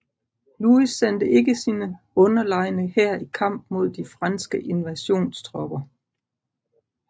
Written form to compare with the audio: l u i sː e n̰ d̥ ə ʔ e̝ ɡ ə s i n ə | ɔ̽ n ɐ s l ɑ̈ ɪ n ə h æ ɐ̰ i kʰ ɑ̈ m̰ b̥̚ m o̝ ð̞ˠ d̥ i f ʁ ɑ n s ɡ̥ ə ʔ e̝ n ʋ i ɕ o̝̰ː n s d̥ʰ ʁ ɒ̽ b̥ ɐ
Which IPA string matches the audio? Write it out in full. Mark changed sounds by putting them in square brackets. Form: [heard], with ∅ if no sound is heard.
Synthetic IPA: l u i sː e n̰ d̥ ə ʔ e̝ ɡ ə s i n ə | ɔ̽ n ɐ [∅] l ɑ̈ ɪ n ə h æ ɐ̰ i kʰ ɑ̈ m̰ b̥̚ m o̝ ð̞ˠ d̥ i f ʁ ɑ n s ɡ̥ ə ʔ e̝ n ʋ [æ] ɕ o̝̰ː n s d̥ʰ ʁ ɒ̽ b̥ ɐ